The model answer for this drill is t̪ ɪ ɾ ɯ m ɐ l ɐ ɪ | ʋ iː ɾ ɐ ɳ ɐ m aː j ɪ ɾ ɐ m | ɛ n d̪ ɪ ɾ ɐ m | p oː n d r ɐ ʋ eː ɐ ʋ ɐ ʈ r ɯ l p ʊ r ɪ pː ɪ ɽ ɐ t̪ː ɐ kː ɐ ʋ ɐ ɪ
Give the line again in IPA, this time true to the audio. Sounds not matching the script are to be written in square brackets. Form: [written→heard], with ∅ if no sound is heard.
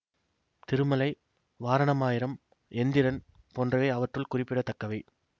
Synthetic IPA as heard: t̪ ɪ ɾ ɯ m ɐ l ɐ ɪ | ʋ [iː→aː] ɾ ɐ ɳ ɐ m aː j ɪ ɾ ɐ m | ɛ n d̪ ɪ ɾ ɐ [m→n] | p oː n d r ɐ ʋ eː ɐ ʋ ɐ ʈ r ɯ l [p→k] ʊ r ɪ pː ɪ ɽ ɐ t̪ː ɐ kː ɐ ʋ ɐ ɪ